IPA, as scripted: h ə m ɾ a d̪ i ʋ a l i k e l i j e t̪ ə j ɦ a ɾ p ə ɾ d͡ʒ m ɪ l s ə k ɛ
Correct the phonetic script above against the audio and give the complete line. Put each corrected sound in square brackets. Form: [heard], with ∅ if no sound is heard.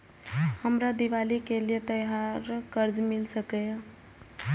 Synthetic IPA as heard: h ə m ɾ a d̪ i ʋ a l i k e l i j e t̪ ə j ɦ a ɾ [k] ə ɾ d͡ʒ m [i] l s ə k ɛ